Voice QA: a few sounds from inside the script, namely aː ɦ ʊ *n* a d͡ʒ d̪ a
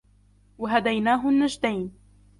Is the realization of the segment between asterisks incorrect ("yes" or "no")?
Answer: yes